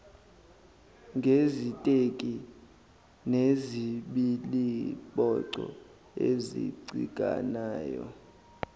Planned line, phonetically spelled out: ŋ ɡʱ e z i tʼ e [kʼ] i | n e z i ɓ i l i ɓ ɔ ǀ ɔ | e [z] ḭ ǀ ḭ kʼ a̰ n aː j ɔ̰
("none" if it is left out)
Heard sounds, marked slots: kʼ, z

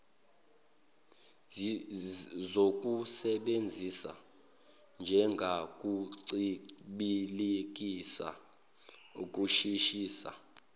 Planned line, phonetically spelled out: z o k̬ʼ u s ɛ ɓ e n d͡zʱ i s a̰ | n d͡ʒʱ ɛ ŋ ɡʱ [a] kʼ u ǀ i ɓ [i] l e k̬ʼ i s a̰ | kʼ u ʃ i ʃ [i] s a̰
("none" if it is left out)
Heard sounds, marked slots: a, i, iː

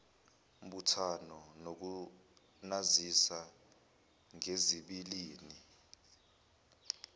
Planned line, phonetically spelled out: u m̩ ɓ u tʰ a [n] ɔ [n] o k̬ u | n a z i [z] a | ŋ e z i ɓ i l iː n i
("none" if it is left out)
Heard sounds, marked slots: n, n, s

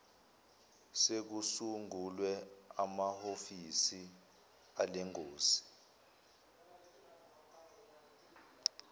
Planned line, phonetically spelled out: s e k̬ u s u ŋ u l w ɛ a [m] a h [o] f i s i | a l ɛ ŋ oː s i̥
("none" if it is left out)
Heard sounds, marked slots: m, o

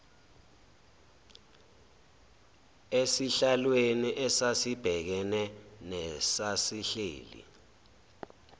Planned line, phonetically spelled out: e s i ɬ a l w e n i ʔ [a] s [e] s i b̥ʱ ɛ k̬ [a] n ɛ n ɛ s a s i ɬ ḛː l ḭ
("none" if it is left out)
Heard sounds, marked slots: ɛ, a, ɛ

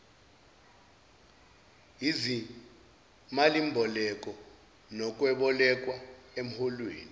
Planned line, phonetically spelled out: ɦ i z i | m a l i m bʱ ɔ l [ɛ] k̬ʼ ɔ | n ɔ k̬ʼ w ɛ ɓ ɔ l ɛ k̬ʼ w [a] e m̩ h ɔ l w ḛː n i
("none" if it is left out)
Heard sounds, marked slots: ɛ, a

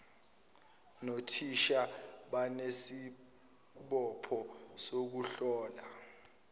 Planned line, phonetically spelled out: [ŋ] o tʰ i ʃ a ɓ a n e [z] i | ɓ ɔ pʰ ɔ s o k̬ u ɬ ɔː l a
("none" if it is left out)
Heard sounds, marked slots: n, s

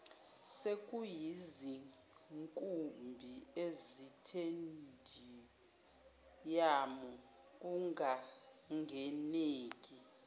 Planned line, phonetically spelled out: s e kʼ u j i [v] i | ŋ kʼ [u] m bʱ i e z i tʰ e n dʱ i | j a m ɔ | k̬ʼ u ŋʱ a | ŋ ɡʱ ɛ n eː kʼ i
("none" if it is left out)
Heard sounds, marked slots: z, u

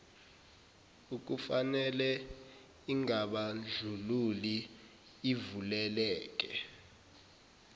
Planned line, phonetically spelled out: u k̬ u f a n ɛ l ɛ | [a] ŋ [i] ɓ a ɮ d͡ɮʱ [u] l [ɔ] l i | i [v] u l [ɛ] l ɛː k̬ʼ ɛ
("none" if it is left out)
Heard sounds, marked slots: i, a, u, u, v, ɛ

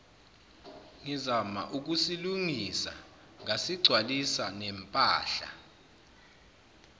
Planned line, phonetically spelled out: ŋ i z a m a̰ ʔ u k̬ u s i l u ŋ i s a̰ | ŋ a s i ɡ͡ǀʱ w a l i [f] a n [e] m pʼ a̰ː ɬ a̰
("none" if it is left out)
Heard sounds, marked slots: s, ɛ

